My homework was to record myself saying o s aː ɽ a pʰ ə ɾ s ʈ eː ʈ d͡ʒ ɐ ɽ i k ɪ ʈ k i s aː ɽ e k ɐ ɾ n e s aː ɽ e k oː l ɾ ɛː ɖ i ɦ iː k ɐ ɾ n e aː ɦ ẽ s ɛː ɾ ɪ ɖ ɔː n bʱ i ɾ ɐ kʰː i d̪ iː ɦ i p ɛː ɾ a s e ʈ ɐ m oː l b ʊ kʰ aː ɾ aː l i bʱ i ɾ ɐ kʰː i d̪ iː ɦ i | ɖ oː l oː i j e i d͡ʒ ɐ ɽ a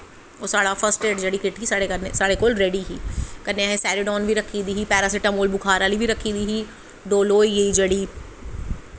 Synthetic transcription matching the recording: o s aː ɽ a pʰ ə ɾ s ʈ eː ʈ d͡ʒ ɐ ɽ i k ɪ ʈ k i s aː ɽ e k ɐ ɾ n e s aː ɽ e k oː l ɾ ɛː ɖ i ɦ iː k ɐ ɾ n e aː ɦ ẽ s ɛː ɾ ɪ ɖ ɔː n bʱ i ɾ ɐ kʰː i d̪ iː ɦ i p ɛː ɾ a s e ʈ ɐ m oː l b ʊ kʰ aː ɾ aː l i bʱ i ɾ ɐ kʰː i d̪ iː ɦ i | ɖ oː l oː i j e i d͡ʒ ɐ ɽ i